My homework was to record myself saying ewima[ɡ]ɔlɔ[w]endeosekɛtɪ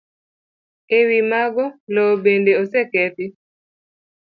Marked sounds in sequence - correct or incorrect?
correct, incorrect: b

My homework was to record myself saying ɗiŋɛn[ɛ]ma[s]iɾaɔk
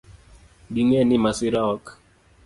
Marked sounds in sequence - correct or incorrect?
incorrect: i, correct

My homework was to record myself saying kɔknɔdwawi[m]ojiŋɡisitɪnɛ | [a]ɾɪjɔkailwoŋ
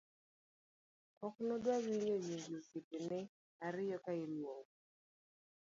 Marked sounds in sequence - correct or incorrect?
incorrect: ɲ, correct

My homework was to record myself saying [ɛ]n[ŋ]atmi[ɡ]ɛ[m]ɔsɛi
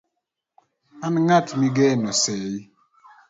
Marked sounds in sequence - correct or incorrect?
incorrect: a, correct, correct, incorrect: n

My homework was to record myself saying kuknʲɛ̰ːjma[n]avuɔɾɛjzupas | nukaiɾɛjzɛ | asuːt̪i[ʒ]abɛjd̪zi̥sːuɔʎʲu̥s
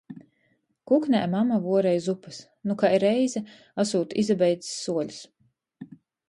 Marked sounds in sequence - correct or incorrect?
incorrect: m, incorrect: z

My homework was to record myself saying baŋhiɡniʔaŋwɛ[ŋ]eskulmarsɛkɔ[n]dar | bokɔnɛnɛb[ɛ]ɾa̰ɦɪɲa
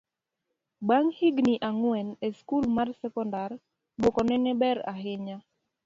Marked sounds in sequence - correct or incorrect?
incorrect: n, correct, correct

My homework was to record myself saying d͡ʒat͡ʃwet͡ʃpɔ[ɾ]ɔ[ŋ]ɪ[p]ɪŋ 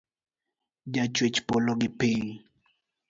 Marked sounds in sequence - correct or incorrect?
incorrect: l, incorrect: ɡ, correct

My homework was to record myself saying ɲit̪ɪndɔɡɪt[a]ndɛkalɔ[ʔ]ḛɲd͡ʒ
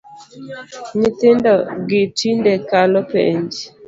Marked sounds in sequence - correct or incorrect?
incorrect: i, incorrect: p

